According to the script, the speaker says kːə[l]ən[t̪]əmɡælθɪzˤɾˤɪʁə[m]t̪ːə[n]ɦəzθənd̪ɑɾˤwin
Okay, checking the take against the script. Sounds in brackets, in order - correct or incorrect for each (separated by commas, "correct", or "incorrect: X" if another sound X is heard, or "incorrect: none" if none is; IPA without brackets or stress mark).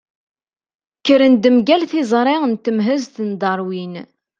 incorrect: ɾ, incorrect: d̪, incorrect: n, incorrect: m